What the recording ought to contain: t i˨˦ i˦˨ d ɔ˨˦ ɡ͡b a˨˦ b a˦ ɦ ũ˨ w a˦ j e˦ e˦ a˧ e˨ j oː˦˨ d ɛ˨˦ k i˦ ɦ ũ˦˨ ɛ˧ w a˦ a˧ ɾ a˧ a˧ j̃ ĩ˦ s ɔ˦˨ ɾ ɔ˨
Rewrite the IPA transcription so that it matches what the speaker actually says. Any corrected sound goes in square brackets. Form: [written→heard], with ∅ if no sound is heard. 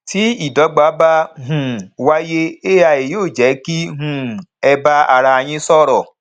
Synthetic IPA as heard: t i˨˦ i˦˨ d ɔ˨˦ ɡ͡b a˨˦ b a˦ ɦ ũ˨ w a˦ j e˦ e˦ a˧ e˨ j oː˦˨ [d→d͡ʒ] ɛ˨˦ k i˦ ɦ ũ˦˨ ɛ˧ [w→b] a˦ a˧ ɾ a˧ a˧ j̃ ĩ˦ s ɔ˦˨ ɾ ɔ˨